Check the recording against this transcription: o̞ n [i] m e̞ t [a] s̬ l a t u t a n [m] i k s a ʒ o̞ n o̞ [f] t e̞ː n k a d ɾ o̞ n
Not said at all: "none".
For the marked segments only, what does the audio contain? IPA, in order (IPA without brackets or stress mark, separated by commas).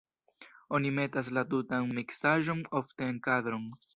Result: i, a, m, f